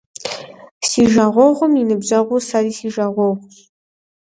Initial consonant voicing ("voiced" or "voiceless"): voiceless